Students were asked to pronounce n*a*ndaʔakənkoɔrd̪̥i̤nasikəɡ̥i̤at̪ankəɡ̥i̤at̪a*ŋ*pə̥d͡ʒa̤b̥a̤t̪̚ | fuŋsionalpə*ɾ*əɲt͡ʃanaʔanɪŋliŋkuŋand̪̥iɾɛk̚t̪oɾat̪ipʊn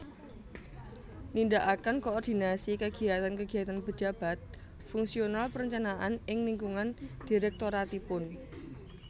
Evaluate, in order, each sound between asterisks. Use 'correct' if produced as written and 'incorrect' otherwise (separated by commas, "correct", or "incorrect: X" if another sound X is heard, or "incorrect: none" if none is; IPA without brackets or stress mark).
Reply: incorrect: i, incorrect: n, correct